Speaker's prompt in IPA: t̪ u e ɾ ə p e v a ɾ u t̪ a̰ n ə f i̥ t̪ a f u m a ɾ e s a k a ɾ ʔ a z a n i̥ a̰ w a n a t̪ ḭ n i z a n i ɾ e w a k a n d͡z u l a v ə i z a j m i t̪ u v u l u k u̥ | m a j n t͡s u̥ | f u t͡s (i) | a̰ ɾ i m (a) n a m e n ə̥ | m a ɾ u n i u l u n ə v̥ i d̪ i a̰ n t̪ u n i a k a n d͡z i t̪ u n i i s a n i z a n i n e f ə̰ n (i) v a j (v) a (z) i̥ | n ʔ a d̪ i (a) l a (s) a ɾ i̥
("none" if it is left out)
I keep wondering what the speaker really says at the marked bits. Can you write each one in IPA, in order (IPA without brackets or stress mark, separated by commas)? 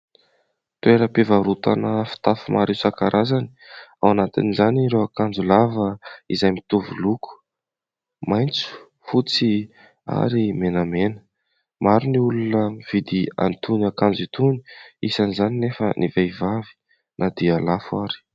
i, e, i, v, v, a, f